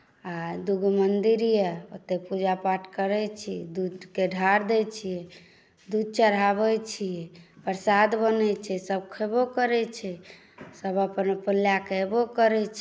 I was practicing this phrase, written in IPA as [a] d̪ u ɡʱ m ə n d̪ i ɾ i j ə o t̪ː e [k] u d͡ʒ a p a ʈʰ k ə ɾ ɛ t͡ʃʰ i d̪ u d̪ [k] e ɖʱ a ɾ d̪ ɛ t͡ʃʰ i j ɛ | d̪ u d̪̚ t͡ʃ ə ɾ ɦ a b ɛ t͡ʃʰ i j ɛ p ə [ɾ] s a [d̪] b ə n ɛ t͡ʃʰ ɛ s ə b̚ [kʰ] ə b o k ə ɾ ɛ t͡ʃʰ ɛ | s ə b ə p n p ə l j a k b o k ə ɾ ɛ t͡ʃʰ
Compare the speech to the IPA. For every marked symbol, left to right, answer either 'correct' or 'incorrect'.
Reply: correct, incorrect, correct, correct, correct, correct

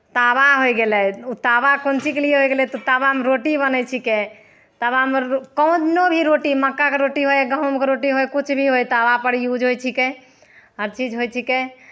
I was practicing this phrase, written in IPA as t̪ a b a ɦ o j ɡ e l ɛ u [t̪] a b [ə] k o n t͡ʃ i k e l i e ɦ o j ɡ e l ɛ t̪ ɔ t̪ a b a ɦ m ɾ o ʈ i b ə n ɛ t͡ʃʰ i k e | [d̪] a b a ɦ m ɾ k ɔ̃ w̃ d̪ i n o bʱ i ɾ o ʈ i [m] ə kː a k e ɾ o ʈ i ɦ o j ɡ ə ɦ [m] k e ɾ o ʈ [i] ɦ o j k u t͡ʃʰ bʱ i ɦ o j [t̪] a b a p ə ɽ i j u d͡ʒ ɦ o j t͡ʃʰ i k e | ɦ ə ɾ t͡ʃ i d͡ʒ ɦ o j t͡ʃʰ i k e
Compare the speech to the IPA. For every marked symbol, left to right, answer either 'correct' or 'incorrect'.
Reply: correct, incorrect, incorrect, correct, correct, correct, correct

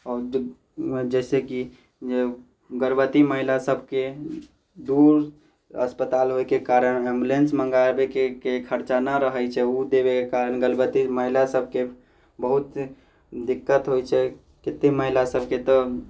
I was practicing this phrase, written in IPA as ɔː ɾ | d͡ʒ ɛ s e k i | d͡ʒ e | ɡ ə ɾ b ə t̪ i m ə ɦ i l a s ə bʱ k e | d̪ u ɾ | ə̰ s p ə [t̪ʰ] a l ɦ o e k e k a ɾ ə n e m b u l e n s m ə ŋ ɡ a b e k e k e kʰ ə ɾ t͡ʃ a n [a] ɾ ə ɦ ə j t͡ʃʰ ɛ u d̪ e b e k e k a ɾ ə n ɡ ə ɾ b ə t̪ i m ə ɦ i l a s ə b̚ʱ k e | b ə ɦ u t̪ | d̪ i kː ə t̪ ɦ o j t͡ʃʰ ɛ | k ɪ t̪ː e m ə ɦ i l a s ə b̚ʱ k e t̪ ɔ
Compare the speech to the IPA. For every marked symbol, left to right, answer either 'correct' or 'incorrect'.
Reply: incorrect, correct

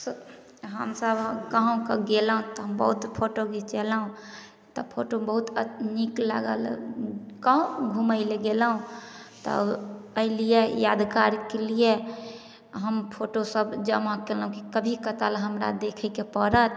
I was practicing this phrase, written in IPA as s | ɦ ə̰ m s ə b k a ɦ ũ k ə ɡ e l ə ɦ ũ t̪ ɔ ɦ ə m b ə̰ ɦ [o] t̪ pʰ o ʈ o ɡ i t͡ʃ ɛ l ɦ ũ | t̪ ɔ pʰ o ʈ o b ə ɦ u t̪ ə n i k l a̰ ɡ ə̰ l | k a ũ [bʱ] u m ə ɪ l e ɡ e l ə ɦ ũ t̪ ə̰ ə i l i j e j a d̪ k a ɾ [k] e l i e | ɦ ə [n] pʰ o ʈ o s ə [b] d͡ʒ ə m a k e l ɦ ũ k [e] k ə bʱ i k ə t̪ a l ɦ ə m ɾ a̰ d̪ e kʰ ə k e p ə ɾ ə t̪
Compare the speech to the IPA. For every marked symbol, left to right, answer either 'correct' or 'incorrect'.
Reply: incorrect, incorrect, correct, incorrect, correct, incorrect

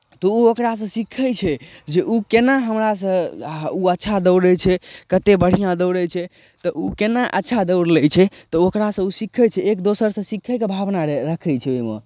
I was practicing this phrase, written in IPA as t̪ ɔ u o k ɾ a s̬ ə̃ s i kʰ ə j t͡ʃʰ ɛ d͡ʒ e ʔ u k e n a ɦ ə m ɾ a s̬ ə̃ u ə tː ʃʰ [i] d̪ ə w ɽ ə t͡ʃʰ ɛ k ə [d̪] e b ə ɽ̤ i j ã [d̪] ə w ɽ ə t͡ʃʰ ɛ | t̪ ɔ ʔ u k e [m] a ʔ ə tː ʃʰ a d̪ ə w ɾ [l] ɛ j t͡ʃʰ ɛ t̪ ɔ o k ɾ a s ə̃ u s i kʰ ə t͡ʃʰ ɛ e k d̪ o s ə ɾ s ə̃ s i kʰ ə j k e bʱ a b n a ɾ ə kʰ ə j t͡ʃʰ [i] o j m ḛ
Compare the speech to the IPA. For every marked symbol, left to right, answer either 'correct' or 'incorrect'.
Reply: incorrect, incorrect, correct, incorrect, correct, incorrect

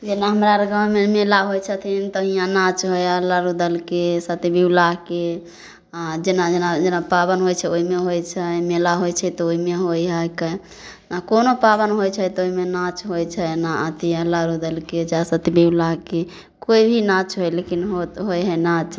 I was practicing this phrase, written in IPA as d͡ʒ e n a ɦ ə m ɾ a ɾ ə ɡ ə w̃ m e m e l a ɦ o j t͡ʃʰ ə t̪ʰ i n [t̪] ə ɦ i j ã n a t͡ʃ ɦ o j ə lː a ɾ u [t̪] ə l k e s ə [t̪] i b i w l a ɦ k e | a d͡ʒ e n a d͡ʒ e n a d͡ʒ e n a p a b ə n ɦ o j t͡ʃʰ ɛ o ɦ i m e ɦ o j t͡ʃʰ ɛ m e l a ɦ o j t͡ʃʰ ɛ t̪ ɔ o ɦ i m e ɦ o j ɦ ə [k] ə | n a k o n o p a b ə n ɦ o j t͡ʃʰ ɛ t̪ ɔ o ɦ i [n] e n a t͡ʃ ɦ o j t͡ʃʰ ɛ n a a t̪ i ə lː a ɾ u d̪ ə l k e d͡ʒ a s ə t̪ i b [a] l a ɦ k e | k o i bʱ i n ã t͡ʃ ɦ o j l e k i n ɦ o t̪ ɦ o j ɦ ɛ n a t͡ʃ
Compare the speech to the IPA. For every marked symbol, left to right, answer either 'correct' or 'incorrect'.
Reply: correct, incorrect, correct, correct, incorrect, incorrect

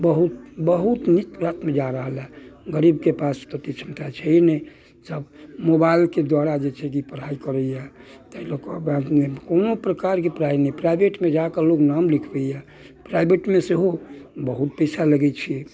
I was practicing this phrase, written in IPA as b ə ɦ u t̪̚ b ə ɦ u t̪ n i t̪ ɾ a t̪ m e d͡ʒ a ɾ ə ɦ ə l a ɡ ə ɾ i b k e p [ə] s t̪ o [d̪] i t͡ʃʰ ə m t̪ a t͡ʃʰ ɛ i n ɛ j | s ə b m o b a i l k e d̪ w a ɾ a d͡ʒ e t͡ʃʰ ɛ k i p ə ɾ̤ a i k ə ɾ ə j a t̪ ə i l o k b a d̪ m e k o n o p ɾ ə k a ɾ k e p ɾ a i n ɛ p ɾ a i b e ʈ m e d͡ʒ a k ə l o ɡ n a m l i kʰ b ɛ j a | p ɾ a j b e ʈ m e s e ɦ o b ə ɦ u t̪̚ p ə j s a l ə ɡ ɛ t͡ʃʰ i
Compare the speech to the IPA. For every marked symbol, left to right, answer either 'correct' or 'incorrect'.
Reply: incorrect, incorrect

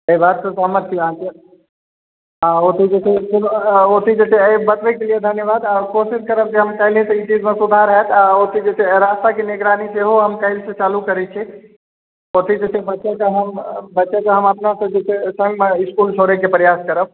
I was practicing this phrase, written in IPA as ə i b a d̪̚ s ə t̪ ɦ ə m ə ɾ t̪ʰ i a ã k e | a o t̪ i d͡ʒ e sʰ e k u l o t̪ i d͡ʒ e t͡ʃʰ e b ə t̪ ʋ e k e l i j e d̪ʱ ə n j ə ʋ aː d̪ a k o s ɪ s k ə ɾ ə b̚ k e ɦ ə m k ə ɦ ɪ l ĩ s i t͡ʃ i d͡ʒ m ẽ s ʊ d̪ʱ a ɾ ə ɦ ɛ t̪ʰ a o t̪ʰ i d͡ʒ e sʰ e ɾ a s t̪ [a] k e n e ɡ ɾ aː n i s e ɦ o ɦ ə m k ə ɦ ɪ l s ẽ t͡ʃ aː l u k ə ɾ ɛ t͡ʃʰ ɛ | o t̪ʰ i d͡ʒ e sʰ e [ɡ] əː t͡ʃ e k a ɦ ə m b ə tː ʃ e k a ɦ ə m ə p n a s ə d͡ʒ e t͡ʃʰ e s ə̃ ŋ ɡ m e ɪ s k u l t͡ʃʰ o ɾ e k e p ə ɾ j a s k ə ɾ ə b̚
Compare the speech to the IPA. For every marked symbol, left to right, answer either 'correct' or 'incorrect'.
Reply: correct, incorrect

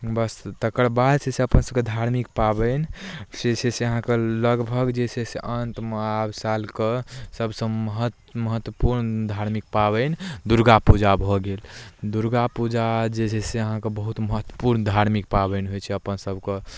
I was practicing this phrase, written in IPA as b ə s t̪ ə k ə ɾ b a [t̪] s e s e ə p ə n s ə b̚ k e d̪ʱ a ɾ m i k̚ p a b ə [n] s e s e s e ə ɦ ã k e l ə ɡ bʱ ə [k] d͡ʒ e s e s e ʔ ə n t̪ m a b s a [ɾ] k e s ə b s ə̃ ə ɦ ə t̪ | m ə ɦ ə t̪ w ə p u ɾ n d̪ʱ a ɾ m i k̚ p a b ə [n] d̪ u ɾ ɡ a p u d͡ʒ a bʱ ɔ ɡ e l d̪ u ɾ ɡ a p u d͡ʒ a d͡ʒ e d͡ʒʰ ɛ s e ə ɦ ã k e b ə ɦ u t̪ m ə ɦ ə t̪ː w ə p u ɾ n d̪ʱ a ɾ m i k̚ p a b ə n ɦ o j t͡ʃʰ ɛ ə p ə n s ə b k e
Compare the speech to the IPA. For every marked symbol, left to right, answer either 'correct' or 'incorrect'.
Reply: incorrect, correct, incorrect, incorrect, correct

